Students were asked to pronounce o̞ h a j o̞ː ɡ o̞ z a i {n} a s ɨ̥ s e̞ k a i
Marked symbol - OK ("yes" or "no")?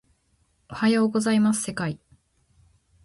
no